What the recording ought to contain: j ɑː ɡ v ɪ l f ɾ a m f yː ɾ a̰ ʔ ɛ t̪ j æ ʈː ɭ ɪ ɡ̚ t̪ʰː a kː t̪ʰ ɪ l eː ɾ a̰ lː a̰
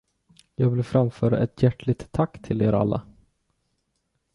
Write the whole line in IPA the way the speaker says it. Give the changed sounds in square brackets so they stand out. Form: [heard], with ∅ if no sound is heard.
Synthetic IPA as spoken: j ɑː ɡ v ɪ l f ɾ a m f [œː] ɾ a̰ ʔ ɛ t̪ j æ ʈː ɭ ɪ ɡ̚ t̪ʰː a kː t̪ʰ ɪ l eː ɾ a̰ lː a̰